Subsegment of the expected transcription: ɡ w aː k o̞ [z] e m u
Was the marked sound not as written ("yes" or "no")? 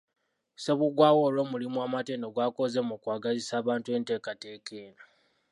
no